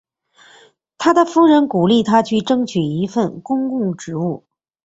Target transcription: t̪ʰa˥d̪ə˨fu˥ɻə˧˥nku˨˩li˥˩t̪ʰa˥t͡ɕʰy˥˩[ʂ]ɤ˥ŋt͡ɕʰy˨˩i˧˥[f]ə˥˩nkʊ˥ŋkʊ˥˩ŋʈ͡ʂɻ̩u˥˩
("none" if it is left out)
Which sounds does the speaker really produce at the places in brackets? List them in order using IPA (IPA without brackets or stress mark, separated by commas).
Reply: ʈ͡ʂ, f